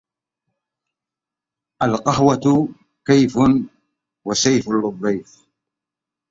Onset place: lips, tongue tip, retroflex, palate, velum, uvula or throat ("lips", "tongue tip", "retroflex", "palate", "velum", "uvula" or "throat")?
throat